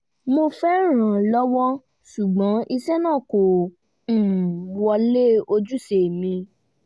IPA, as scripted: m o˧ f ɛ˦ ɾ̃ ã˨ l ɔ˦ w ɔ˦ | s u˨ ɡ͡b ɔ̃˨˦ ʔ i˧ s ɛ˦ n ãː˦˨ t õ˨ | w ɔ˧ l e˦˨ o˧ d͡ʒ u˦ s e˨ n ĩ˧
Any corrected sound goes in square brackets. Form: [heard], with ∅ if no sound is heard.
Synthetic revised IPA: m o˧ f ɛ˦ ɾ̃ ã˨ l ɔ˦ w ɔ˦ | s u˨ ɡ͡b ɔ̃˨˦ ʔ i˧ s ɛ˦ n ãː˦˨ [k] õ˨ | w ɔ˧ l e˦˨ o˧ d͡ʒ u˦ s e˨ [m] ĩ˧